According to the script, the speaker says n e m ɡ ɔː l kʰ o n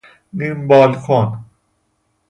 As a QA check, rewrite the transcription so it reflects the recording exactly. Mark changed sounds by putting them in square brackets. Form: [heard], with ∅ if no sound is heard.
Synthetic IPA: n [i] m [b] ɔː l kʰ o n